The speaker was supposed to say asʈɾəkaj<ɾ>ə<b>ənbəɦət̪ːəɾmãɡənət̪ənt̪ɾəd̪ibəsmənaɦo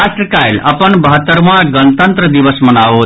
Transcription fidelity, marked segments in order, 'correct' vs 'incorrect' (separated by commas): incorrect, incorrect